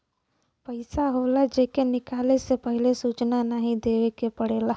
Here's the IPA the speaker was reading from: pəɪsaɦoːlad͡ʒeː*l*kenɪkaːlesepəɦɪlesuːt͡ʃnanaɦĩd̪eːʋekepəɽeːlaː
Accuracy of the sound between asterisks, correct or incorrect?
incorrect